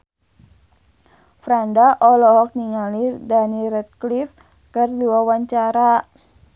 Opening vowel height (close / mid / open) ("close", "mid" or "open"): open